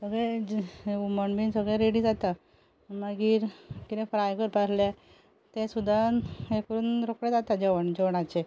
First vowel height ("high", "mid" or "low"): mid